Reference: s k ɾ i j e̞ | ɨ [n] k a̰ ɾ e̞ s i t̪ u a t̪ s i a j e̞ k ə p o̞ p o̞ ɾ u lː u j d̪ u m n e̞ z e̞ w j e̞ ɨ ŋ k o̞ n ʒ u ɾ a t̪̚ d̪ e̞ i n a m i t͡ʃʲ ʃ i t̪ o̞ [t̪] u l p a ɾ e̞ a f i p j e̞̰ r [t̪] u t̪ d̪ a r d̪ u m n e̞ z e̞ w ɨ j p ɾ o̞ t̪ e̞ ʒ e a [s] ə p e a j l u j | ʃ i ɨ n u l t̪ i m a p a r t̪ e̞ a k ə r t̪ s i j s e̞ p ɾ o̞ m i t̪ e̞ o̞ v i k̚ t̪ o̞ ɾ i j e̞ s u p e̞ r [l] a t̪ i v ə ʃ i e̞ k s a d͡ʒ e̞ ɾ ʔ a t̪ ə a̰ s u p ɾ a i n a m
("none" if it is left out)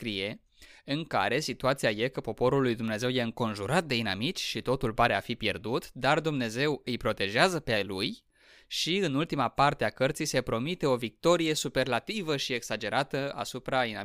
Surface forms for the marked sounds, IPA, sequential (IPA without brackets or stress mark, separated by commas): ŋ, t̪, d̪, z, l